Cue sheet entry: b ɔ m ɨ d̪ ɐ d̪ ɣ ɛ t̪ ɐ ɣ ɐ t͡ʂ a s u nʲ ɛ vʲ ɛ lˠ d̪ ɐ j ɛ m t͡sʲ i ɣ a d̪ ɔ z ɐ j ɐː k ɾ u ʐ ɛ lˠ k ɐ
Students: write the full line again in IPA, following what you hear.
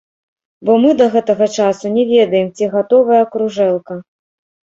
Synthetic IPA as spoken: b ɔ m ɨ d̪ ɐ ɣ ɛ t̪ ɐ ɣ ɐ t͡ʂ a s u nʲ ɛ vʲ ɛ d̪ ɐ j ɛ m t͡sʲ i ɣ a t̪ ɔ v ɐ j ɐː k ɾ u ʐ ɛ lˠ k ɐ